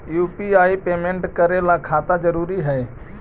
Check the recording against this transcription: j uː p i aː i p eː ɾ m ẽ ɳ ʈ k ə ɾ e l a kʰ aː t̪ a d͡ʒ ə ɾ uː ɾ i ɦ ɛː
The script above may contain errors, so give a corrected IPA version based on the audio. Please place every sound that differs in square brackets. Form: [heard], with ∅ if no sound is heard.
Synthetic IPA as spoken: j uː p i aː i p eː [∅] m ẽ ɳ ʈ k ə ɾ e l a kʰ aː t̪ a d͡ʒ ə ɾ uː ɾ i ɦ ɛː